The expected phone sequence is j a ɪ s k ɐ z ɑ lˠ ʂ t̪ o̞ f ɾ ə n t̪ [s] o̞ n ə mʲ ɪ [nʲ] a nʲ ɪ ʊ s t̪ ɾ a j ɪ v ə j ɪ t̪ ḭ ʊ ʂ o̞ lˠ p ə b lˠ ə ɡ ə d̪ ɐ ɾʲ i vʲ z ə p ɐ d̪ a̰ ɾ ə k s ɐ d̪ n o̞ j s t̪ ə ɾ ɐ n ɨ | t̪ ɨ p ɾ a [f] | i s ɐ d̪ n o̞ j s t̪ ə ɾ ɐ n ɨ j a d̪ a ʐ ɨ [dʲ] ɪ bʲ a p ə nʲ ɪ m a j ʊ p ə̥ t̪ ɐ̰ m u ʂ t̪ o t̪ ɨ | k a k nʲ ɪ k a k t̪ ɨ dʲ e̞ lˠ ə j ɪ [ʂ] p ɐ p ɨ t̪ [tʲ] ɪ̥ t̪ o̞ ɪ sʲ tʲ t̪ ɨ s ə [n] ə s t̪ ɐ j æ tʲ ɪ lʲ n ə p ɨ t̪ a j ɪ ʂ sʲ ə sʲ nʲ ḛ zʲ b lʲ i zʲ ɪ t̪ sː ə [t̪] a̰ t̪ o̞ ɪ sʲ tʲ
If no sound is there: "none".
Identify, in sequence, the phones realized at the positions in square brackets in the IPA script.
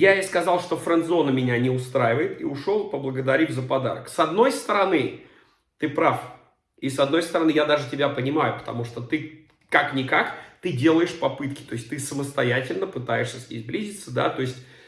z, nʲ, f, tʲ, ʂ, kʲ, m, d̪

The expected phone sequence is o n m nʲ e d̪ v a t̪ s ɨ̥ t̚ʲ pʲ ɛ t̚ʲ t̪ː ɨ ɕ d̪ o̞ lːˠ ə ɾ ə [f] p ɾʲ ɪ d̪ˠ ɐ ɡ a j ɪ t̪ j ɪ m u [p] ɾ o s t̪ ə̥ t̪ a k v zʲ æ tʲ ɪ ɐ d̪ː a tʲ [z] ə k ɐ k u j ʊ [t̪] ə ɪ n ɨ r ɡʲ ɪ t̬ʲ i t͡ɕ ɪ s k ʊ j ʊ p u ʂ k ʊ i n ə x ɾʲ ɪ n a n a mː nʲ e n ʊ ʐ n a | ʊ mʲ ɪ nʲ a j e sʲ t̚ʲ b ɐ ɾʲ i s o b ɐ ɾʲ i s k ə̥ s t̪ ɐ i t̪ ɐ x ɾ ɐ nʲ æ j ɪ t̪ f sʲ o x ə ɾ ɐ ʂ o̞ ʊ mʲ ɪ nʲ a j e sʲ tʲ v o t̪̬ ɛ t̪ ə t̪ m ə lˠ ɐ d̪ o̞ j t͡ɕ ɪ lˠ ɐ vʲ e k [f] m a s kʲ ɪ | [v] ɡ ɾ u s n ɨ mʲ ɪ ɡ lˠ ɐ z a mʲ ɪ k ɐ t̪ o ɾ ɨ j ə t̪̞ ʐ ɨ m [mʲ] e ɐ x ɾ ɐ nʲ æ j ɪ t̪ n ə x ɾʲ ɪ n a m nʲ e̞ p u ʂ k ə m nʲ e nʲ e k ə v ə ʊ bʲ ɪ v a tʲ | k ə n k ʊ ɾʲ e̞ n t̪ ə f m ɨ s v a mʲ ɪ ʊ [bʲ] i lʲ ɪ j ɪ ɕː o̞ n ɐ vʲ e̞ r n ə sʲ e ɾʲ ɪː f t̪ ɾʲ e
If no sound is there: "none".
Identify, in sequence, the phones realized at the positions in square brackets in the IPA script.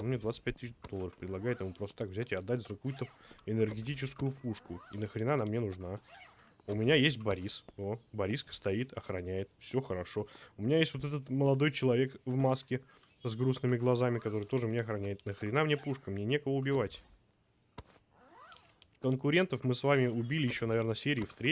f, p, z, t̪, v, z, nʲ, bʲ

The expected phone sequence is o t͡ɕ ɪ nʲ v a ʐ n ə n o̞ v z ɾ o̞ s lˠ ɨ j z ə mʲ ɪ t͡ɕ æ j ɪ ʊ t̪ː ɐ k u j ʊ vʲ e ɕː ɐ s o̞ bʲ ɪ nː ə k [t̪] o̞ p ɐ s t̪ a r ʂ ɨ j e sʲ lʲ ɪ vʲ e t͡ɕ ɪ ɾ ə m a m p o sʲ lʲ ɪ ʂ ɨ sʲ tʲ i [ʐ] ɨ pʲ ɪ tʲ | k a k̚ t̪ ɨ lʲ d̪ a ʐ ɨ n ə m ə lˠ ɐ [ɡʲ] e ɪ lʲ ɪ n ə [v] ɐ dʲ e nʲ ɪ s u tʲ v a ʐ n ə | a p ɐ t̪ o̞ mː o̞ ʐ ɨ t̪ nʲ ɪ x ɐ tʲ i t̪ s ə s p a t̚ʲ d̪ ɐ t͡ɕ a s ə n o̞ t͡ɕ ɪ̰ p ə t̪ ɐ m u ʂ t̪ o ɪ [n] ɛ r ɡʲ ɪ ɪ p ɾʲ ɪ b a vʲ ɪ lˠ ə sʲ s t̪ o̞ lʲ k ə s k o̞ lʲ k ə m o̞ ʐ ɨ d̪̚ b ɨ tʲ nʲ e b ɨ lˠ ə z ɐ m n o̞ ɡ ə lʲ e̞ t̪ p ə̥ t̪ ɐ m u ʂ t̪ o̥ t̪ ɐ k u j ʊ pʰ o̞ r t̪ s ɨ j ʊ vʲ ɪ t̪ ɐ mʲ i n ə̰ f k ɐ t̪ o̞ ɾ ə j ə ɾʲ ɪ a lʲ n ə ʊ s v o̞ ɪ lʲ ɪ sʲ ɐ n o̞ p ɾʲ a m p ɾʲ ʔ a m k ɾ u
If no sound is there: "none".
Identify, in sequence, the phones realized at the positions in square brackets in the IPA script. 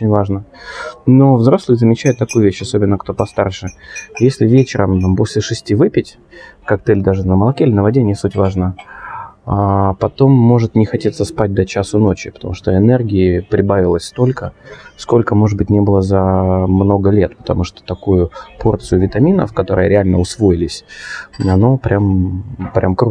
t̪, v, kʲ, v, n

